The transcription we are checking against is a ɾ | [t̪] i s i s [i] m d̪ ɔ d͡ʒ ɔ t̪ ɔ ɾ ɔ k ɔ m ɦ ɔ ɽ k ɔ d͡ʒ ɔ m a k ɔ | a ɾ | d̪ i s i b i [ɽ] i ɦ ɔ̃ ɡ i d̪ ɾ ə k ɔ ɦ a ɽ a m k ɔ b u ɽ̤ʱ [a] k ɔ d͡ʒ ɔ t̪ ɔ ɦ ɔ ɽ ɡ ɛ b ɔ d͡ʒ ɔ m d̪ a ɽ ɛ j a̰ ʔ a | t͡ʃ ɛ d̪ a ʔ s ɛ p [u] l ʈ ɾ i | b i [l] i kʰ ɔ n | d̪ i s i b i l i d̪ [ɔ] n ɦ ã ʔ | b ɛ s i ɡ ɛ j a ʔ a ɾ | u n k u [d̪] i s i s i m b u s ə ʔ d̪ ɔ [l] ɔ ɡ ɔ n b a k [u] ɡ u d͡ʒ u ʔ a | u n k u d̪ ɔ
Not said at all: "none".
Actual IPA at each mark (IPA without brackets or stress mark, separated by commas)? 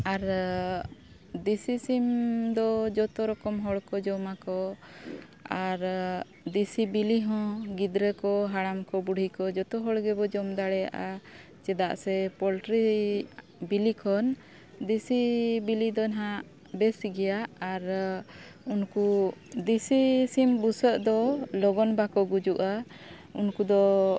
d̪, i, l, i, ɔ, l, ɔ, d̪, l, ɔ